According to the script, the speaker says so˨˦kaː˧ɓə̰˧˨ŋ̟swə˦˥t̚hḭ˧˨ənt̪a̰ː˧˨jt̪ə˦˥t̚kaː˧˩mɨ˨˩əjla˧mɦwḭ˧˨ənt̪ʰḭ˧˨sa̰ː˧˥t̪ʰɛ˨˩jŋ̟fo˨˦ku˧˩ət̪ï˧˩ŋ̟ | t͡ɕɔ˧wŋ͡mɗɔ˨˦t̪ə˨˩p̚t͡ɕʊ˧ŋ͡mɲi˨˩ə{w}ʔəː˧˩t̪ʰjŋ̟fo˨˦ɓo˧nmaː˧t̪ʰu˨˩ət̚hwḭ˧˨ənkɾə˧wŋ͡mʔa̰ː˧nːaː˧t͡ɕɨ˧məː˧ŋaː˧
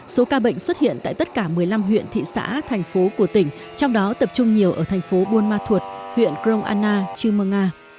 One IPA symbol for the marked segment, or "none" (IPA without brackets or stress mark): w